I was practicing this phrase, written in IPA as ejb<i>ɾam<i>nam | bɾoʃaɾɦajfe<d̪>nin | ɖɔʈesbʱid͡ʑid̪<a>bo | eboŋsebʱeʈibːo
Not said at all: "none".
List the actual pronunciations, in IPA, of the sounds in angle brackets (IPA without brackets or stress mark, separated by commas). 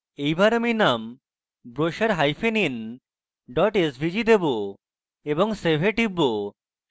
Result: a, i, none, e